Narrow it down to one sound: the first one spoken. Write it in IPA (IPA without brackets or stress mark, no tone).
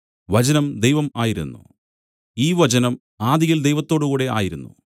ʋ